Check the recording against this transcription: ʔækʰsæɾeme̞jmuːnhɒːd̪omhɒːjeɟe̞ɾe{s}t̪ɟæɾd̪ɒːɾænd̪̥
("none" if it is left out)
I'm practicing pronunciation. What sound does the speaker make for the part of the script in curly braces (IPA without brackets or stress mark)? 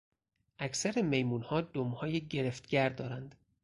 f